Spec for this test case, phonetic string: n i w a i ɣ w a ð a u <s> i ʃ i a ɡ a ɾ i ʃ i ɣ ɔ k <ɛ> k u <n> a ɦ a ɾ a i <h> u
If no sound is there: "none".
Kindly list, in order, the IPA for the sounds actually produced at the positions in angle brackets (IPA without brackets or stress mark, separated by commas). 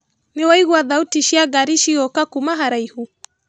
t, a, m, h